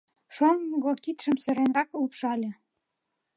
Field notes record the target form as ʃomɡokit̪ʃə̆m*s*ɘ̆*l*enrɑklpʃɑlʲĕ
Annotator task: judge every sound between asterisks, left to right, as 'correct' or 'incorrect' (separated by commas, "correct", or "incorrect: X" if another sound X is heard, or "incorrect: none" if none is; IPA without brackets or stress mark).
correct, incorrect: ɾ